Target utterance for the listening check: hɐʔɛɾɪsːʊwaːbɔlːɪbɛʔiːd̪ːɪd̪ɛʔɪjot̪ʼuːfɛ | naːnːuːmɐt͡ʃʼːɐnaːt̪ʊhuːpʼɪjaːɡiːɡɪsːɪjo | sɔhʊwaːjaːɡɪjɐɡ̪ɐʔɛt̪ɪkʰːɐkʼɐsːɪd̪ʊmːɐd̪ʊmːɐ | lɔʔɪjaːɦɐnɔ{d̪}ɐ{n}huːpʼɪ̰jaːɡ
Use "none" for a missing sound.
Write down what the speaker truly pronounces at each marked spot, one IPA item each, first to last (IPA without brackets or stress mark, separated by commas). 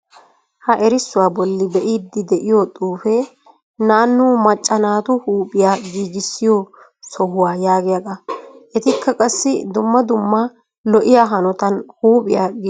t̪, n